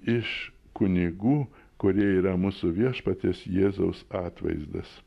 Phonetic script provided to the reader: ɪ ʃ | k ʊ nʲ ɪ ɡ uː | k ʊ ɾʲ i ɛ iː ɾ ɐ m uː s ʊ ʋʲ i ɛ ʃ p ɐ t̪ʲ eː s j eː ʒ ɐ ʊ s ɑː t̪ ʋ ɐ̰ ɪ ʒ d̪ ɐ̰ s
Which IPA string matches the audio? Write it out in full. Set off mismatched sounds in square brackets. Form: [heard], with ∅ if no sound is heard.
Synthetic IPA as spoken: ɪ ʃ | k ʊ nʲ ɪ ɡ uː | k ʊ ɾʲ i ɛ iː ɾ ɐ m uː s ʊ ʋʲ i ɛ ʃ p ɐ t̪ʲ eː s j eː [z] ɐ ʊ s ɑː t̪ ʋ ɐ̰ ɪ [z] d̪ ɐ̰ s